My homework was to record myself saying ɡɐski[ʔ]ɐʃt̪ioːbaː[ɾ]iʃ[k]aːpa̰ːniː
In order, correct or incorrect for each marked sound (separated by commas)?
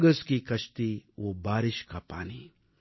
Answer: incorrect, correct, correct